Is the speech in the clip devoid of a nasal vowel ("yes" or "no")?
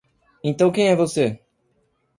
no